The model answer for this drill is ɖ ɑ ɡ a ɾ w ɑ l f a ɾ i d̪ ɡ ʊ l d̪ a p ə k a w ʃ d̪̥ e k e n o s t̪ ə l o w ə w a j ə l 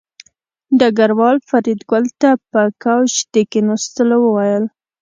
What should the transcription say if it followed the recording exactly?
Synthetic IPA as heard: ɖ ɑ ɡ a ɾ w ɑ l f a ɾ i d̪ ɡ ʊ l t̪ a p ə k a w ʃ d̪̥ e k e n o s t̪ ə l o w ə w a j ə l